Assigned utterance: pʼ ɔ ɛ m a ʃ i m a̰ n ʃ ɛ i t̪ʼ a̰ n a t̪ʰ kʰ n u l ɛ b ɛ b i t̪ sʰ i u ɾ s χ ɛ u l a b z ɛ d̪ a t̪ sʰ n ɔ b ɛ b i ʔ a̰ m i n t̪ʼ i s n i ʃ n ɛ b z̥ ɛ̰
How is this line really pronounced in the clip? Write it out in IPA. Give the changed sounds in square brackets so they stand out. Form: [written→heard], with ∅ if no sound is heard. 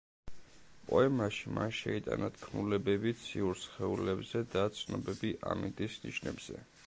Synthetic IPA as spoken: pʼ ɔ ɛ m a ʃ i m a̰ n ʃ ɛ i t̪ʼ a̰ n a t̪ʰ kʰ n u l ɛ b ɛ b i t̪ sʰ i u ɾ s χ ɛ u l [a→ɛ] b z ɛ d̪ a t̪ sʰ n ɔ b ɛ b i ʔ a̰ m i n t̪ʼ i s n i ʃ n ɛ b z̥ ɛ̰